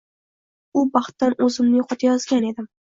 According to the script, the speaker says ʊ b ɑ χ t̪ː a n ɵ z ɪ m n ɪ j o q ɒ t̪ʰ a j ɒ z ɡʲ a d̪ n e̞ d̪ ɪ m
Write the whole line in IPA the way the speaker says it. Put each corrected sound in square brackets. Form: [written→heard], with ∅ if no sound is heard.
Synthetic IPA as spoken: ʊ b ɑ χ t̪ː a n ɵ z ɪ m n ɪ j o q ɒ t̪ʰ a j ɒ z ɡʲ a [d̪→∅] n e̞ d̪ ɪ m